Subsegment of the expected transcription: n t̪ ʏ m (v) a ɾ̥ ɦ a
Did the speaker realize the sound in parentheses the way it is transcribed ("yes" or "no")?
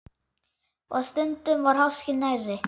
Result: yes